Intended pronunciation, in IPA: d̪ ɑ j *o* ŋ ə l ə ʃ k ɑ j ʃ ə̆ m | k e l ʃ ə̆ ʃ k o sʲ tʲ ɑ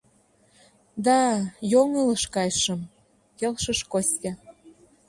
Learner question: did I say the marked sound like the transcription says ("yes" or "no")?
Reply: yes